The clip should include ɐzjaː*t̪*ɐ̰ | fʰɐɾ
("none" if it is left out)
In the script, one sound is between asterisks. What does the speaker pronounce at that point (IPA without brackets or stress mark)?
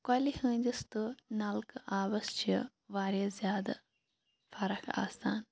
d̪